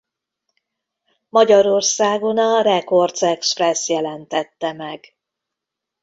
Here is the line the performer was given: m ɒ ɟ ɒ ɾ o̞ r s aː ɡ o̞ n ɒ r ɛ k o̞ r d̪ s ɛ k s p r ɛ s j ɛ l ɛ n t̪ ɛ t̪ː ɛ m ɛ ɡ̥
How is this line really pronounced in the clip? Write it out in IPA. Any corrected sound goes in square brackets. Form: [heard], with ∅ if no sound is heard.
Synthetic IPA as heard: m ɒ ɟ ɒ ɾ o̞ r s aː ɡ o̞ n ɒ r ɛ k o̞ r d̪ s ɛ k s p r ɛ s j ɛ l ɛ n t̪ ɛ t̪ː ɛ m ɛ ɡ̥